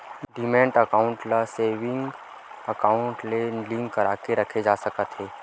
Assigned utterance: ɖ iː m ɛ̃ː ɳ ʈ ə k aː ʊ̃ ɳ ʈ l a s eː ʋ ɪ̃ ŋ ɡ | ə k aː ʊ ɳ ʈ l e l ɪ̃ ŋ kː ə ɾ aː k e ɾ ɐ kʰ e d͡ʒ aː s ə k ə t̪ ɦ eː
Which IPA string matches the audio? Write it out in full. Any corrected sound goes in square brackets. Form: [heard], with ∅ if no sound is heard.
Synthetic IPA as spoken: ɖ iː m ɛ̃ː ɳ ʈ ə k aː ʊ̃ ɳ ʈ l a s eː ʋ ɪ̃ ŋ ɡ | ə k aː ʊ ɳ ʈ l e l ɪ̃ ŋ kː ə ɾ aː k e ɾ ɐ kʰ e d͡ʒ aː s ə k ə t̪ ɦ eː

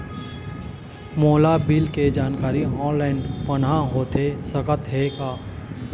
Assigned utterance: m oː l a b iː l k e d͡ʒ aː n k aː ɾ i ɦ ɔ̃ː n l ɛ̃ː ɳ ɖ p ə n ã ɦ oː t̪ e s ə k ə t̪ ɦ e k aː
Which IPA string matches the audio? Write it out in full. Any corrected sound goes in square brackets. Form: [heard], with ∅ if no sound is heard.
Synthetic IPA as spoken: m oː l a b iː l k e d͡ʒ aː n k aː ɾ i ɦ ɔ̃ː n l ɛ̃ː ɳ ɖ p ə n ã ɦ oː t̪ e s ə k ə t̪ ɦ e k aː

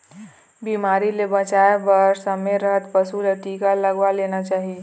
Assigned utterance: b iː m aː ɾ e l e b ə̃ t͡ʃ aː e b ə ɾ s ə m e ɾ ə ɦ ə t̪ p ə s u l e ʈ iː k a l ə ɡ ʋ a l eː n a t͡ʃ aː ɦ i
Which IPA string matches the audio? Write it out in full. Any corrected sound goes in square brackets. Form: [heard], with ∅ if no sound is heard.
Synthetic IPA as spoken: b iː m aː ɾ [i] l e b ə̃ t͡ʃ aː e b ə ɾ s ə m e ɾ ə ɦ ə t̪ p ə s u l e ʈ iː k a l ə ɡ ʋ a l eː n a t͡ʃ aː ɦ i

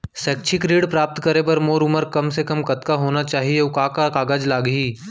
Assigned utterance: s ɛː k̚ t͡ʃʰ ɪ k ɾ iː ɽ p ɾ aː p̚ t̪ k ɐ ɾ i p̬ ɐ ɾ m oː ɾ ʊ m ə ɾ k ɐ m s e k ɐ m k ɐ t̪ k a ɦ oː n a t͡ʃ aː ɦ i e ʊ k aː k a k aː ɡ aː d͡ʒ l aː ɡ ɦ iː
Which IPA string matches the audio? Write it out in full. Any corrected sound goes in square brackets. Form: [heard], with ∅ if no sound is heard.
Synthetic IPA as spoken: s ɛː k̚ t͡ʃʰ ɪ k ɾ iː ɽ p ɾ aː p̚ t̪ k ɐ ɾ [e] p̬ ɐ ɾ m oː ɾ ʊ m ə ɾ k ɐ m s e k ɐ m k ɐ t̪ k a ɦ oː n a t͡ʃ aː ɦ i e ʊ k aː k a k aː ɡ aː d͡ʒ l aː ɡ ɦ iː

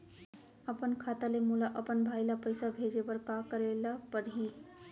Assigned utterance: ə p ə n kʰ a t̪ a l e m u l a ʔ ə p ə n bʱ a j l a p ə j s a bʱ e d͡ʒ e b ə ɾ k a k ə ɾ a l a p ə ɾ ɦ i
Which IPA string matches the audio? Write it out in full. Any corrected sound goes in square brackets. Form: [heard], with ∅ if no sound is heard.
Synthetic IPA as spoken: ə p ə n kʰ a t̪ a l e m u l a ʔ ə p ə n bʱ a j l a p ə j s a bʱ e d͡ʒ e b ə ɾ k a k ə ɾ [e] l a p ə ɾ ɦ i

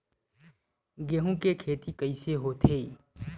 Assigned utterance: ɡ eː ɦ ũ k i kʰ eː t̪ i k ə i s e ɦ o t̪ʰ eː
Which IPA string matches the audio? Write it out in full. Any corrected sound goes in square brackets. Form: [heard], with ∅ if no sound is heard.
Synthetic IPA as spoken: ɡ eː ɦ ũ k [e] kʰ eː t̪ i k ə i s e ɦ o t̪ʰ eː

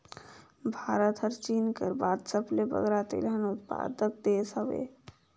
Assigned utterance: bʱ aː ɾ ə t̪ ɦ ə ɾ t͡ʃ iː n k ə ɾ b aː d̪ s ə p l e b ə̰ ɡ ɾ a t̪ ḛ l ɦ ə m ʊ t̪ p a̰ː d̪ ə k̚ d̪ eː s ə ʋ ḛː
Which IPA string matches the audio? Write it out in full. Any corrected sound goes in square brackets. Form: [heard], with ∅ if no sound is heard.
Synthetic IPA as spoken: bʱ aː ɾ ə t̪ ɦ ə ɾ t͡ʃ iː n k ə ɾ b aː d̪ s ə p l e b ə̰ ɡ ɾ a t̪ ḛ l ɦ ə [n] ʊ t̪ p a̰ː d̪ ə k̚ d̪ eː s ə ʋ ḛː

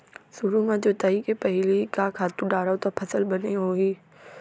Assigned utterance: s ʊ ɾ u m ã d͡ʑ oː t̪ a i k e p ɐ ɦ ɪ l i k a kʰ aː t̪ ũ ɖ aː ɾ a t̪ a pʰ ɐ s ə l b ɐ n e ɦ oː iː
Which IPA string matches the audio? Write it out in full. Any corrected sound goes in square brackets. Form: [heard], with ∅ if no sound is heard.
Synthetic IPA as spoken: s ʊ ɾ u m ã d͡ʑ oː t̪ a i k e p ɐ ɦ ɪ l i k a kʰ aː t̪ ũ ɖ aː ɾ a t̪ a pʰ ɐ s ə l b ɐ n e ɦ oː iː

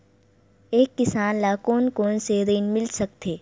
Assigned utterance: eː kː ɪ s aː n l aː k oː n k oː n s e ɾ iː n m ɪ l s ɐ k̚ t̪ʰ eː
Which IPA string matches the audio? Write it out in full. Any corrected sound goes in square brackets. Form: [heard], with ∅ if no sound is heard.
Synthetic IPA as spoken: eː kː ɪ s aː n l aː k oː n k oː n s e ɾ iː n m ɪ l s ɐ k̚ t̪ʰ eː

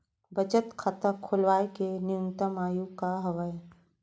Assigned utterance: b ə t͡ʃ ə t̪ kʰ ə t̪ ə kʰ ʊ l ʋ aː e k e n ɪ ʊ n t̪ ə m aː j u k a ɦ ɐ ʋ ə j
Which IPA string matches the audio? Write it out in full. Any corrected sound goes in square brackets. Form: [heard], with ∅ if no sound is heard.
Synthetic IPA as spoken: b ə t͡ʃ ə t̪ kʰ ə t̪ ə kʰ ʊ l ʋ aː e k e n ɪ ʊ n t̪ ə m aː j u k a ɦ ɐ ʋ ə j

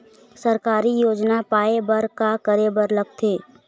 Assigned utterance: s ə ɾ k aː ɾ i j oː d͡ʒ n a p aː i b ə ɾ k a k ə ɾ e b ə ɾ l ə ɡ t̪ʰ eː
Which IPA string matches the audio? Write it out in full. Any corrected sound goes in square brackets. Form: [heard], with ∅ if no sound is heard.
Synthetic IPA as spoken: s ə ɾ k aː ɾ i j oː d͡ʒ n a p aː [e] b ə ɾ k a k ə ɾ e b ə ɾ l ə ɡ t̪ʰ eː

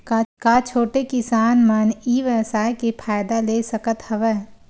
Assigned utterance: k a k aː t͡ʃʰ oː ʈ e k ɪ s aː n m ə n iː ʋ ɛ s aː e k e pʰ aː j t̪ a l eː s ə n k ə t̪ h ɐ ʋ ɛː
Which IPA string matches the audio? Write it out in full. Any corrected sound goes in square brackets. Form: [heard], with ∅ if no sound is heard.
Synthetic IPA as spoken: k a k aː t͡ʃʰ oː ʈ e k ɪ s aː n m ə n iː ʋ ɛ s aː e k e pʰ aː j [d̪] a l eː s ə [∅] k ə t̪ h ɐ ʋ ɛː

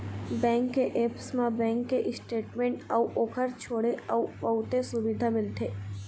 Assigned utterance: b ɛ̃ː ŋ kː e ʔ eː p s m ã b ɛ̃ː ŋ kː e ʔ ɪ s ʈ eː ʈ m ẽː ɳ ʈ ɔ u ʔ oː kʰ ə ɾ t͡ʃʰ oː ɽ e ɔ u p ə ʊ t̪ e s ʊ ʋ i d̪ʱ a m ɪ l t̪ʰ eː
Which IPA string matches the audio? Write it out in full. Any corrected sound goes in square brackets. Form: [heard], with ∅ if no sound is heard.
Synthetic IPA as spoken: b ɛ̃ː ŋ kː e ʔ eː p s m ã b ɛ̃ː ŋ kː e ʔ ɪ s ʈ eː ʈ m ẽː ɳ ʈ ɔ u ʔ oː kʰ ə ɾ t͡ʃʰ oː ɽ e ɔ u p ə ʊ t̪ e s ʊ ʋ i d̪ʱ a m ɪ l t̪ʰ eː

